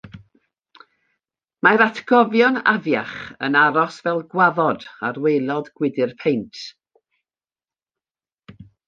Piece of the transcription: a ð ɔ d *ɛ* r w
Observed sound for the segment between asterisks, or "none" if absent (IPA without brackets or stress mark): a